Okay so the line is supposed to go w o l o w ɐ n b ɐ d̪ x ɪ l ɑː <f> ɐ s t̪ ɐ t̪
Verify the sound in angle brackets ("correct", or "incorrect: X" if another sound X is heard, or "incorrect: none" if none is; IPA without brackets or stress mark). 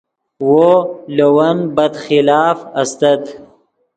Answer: correct